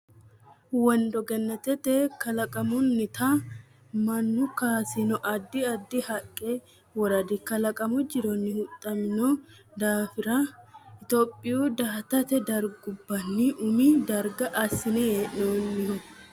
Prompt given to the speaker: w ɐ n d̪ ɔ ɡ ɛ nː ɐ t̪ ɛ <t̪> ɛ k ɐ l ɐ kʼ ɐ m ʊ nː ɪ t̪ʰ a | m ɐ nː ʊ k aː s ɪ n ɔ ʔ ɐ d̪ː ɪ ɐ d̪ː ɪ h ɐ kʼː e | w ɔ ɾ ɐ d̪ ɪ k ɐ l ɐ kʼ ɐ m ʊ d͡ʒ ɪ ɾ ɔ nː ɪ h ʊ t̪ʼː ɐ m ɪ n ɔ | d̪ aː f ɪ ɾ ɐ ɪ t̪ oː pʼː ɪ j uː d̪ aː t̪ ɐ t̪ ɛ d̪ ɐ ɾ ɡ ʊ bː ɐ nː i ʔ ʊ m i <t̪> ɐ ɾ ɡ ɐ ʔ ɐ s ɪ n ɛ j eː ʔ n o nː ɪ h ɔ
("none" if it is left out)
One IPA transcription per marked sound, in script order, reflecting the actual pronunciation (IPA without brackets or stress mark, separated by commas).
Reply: t̪, d̪